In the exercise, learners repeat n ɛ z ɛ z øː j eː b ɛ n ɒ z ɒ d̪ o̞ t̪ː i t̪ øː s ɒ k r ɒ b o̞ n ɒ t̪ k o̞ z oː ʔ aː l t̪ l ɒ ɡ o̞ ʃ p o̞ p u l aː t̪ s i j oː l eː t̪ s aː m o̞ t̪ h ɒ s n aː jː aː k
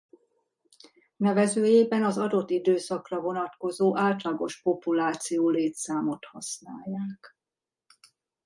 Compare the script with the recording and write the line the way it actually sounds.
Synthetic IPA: n ɛ v ɛ z øː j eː b ɛ n ɒ z ɒ d̪ o̞ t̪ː i d̪ øː s ɒ k r ɒ v o̞ n ɒ t̪ k o̞ z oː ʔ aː l t̪ l ɒ ɡ o̞ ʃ p o̞ p u l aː t̪ s i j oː l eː t̪ s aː m o̞ t̪ h ɒ s n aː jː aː k